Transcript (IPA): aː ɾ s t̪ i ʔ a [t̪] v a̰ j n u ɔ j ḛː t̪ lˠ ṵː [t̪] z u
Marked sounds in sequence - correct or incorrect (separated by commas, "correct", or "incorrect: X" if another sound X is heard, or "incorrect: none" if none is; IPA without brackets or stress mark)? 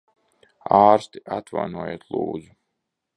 correct, incorrect: d̪